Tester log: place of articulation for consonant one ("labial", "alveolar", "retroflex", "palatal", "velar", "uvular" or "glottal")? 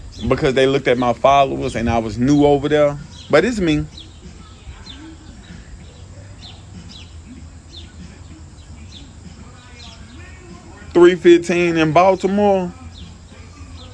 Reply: labial